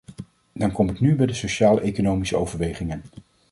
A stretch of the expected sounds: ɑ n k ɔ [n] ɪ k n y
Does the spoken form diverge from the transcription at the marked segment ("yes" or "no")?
yes